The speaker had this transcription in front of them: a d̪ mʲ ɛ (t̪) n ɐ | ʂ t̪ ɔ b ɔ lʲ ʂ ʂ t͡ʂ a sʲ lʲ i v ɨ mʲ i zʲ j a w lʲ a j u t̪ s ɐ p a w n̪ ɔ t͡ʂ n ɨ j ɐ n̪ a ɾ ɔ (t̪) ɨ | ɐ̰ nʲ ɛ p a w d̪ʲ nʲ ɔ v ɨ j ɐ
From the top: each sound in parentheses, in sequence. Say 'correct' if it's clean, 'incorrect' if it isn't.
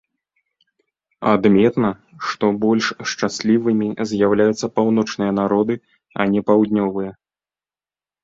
correct, incorrect

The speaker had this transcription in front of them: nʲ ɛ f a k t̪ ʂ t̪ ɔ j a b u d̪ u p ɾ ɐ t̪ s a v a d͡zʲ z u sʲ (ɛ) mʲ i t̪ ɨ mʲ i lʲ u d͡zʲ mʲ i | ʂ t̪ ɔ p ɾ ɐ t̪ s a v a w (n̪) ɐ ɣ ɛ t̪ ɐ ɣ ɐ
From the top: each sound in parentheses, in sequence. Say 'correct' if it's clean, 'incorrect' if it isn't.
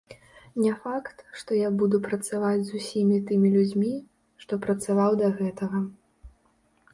incorrect, incorrect

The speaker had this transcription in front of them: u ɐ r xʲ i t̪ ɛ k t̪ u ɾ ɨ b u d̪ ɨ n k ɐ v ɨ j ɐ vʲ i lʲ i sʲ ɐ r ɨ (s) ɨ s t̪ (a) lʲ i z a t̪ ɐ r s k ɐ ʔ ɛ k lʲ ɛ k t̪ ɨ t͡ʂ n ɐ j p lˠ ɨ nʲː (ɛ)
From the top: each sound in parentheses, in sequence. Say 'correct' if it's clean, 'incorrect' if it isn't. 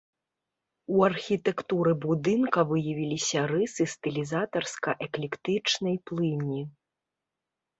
correct, incorrect, incorrect

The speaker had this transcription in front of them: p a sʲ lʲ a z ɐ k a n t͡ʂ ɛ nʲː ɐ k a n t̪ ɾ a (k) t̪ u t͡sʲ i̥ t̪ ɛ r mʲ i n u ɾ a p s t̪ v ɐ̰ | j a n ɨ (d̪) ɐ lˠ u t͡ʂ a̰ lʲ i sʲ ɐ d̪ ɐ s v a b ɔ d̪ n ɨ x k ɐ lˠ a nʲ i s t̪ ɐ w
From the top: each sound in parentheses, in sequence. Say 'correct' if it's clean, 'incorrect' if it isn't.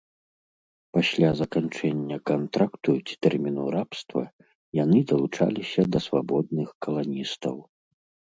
correct, correct

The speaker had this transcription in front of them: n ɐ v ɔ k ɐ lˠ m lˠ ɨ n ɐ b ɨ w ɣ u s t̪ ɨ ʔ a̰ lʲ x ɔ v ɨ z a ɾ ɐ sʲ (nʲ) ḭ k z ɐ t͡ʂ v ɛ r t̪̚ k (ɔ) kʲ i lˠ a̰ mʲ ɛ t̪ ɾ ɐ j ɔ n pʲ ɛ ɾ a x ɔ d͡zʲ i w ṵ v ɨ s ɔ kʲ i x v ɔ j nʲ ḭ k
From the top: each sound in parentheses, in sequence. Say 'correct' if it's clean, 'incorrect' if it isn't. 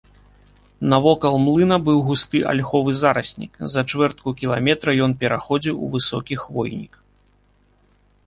correct, incorrect

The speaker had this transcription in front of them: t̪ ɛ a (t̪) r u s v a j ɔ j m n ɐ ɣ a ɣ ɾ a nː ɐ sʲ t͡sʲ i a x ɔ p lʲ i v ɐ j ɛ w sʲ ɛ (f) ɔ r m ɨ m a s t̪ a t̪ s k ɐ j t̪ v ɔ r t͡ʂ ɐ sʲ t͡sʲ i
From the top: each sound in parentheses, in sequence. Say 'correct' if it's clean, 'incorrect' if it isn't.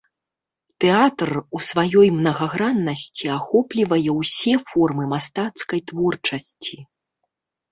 correct, correct

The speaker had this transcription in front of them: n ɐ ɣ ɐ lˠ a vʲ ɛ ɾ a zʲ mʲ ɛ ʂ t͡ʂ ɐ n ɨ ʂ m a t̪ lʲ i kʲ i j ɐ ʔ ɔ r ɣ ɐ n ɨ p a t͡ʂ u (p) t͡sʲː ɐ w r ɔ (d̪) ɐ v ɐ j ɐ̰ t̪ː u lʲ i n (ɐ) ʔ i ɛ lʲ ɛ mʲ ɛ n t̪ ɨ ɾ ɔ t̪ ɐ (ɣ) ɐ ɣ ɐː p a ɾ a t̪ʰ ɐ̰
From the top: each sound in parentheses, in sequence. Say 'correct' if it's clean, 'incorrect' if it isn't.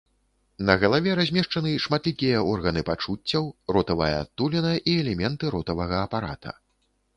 incorrect, incorrect, correct, incorrect

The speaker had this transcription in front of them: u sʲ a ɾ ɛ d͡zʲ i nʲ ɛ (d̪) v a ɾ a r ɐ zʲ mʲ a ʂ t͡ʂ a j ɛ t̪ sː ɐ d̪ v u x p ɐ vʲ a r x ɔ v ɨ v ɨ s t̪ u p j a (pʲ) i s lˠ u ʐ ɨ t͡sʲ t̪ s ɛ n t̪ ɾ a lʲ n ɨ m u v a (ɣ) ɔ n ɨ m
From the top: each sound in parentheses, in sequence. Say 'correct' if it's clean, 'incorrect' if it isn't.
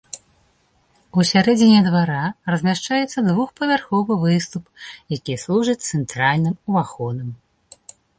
correct, incorrect, incorrect

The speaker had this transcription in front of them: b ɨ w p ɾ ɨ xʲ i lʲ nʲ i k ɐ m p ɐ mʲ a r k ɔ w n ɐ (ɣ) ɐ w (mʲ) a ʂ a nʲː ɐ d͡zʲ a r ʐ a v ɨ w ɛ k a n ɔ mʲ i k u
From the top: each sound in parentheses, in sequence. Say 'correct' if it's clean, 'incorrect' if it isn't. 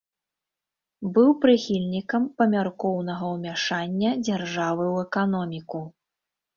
correct, correct

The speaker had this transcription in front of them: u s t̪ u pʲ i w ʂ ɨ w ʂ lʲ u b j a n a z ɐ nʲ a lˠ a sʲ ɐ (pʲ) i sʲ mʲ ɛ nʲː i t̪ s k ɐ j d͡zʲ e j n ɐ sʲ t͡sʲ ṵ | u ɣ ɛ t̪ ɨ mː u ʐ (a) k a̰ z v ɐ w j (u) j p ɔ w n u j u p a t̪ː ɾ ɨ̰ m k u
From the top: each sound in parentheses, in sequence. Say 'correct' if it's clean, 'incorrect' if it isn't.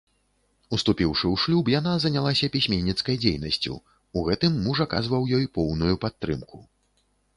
correct, correct, incorrect

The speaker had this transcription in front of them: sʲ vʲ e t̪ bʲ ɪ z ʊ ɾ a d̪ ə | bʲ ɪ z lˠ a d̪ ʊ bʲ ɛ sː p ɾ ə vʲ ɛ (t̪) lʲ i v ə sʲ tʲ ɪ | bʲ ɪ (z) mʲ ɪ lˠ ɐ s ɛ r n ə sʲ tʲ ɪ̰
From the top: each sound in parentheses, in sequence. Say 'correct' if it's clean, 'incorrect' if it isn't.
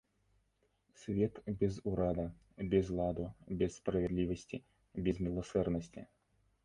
incorrect, correct

